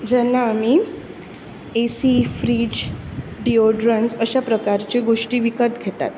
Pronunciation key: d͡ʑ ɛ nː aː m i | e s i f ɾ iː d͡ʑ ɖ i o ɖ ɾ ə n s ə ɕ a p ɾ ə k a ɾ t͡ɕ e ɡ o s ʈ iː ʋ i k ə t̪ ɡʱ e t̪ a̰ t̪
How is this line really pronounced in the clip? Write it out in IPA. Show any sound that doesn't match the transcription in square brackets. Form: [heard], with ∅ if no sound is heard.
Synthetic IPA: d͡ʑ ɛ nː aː m i | e s i f ɾ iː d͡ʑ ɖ i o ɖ ɾ ə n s ə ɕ a p ɾ ə k a ɾ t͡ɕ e ɡ o [ʂ] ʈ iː ʋ i k ə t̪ ɡʱ e t̪ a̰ t̪

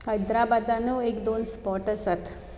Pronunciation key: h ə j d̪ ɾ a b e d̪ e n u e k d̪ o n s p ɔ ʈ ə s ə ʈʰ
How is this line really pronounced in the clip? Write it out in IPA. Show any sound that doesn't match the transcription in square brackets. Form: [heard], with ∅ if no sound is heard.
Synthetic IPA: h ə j d̪ ɾ a b [a] d̪ [a] n u e k d̪ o n s p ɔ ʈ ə s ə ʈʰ

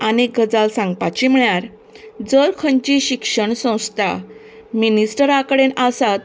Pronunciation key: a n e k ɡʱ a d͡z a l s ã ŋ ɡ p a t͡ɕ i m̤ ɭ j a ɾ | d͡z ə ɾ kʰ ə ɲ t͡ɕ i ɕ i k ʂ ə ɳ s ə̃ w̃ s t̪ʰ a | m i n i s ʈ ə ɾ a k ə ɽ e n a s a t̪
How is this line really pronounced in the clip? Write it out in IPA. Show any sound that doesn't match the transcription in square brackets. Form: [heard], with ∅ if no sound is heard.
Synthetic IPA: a n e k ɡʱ [ə] d͡z a l s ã ŋ ɡ p a t͡ɕ i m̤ ɭ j a ɾ | d͡z ə ɾ kʰ ə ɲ t͡ɕ i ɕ i k ʂ ə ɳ s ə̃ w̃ s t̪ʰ a | m i n i s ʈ ə ɾ a k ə ɽ e n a s a t̪

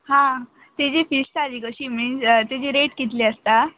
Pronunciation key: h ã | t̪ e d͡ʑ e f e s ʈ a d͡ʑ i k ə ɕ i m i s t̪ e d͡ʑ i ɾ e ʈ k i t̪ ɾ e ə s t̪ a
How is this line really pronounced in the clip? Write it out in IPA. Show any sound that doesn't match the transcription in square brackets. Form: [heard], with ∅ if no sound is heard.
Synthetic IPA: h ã | t̪ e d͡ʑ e f [i] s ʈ a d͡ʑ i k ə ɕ i m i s t̪ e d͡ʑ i ɾ e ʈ k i t̪ [l] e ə s t̪ a

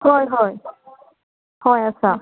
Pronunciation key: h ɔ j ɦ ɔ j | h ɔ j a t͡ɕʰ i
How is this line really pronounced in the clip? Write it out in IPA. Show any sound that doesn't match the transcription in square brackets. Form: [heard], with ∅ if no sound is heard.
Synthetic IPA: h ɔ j ɦ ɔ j | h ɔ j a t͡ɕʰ [a]

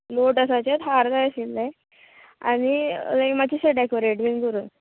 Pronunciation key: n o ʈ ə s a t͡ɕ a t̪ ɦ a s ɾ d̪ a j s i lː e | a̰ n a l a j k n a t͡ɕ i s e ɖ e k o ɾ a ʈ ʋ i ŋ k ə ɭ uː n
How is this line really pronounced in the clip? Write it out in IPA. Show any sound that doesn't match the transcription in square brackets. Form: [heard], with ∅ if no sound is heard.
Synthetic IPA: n o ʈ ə s a t͡ɕ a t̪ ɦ a [∅] ɾ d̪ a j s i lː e | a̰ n [i] l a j k [m] a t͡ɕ i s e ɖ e k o ɾ [e] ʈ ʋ i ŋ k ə [ɾ] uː n

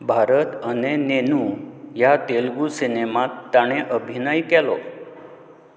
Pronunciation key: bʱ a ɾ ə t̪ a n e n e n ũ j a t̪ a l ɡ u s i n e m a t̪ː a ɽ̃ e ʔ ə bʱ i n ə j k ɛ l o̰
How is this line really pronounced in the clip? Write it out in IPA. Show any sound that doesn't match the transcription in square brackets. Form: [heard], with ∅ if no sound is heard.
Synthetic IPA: bʱ a ɾ ə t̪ [ə] n e n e n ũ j a t̪ [e] l ɡ u s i n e m a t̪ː a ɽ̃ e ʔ ə bʱ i n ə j k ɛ l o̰

